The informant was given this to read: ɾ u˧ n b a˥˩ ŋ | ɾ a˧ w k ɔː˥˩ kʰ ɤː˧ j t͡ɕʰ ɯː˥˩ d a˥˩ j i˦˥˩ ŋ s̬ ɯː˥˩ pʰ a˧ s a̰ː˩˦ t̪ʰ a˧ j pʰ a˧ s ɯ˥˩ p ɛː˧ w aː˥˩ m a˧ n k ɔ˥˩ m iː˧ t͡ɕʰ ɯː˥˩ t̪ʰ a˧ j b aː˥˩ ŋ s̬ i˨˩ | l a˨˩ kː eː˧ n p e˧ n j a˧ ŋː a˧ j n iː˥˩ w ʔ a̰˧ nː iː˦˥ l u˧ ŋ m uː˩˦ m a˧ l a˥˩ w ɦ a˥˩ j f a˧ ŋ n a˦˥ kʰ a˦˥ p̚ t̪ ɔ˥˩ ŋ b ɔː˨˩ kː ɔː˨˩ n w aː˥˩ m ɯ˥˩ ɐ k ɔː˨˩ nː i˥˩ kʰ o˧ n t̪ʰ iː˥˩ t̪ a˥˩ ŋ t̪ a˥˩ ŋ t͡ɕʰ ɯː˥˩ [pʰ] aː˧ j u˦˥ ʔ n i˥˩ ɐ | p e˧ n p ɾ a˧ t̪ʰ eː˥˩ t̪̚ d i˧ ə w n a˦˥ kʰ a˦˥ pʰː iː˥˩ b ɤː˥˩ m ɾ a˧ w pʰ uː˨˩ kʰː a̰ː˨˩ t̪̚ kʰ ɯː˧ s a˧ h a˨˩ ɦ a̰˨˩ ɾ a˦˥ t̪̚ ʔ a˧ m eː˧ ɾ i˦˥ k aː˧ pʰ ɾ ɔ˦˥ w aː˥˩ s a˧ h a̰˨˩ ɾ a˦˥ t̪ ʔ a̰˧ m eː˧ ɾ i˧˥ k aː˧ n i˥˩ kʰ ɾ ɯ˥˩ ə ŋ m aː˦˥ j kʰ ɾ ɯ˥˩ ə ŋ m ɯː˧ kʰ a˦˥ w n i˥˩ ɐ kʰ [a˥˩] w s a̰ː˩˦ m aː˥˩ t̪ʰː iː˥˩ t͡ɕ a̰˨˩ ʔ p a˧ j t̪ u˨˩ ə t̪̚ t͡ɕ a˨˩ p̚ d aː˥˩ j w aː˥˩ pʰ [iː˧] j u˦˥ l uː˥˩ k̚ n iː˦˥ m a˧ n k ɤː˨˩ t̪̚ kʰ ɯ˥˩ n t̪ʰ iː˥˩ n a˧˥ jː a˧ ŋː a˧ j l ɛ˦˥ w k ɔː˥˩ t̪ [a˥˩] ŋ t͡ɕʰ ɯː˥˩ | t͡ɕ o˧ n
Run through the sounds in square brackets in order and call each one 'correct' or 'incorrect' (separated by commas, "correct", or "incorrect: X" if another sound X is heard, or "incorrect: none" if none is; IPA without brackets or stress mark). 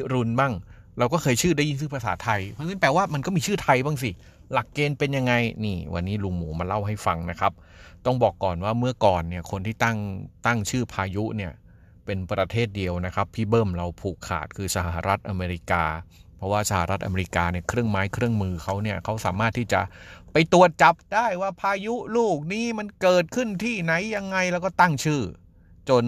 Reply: correct, incorrect: a˦˥, incorrect: aː˧, correct